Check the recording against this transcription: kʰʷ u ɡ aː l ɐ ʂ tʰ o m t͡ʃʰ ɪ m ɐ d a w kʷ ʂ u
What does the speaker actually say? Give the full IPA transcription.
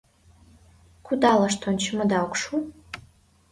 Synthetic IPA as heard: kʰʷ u d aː l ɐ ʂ tʰ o n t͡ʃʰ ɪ m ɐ d a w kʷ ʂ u